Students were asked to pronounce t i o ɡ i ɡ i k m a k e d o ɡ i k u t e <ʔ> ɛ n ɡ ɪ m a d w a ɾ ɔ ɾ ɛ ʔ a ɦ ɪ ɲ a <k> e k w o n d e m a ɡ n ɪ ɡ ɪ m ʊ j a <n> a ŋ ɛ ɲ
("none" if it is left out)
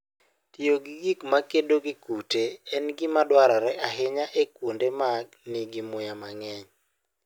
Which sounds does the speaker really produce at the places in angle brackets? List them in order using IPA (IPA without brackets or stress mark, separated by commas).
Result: none, ʔ, m